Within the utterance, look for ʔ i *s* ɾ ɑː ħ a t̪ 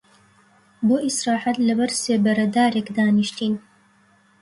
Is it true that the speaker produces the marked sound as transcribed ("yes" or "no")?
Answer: yes